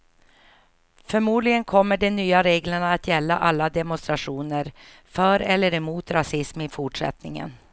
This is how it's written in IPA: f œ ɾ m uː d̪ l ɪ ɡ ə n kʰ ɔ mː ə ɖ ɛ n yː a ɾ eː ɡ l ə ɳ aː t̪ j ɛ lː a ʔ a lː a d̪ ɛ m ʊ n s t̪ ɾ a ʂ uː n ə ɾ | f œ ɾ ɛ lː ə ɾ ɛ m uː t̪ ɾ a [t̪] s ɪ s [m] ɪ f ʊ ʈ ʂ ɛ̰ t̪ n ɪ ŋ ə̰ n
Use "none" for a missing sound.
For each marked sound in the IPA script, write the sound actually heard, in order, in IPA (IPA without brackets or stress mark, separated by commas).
none, m